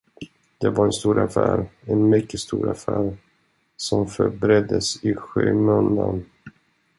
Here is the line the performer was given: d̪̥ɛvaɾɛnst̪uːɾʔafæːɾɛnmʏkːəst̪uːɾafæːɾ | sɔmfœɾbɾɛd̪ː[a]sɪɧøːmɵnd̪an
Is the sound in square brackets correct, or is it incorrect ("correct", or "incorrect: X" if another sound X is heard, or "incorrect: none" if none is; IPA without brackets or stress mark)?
incorrect: ə